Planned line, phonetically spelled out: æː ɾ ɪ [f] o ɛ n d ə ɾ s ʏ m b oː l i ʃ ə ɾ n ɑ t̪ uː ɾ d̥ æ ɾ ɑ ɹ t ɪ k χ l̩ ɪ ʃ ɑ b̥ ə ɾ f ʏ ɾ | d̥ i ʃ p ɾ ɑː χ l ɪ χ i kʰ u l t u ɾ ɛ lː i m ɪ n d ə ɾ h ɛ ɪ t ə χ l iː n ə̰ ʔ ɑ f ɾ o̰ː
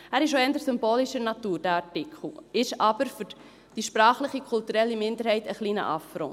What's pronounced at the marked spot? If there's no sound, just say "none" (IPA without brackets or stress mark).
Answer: ʃ